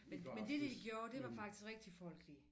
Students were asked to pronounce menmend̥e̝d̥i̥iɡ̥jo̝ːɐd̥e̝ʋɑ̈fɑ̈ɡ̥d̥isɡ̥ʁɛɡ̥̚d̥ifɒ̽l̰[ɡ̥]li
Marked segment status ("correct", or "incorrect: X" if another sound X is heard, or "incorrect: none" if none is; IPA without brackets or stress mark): correct